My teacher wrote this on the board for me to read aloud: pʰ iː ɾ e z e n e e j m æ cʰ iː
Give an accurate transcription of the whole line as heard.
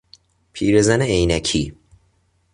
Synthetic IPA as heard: pʰ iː ɾ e z æ n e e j n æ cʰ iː